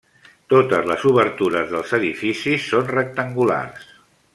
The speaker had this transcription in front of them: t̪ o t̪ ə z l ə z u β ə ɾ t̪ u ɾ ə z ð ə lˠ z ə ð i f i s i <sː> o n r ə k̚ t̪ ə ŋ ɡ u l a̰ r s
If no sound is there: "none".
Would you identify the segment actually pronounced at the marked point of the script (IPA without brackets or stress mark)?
sː